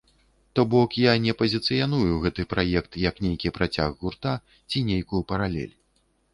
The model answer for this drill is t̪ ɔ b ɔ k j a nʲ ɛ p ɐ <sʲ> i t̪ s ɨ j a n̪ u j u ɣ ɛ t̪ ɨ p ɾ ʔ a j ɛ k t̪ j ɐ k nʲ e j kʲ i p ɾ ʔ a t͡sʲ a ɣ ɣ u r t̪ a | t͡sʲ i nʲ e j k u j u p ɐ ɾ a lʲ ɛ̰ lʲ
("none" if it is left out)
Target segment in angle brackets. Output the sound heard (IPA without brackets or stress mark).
zʲ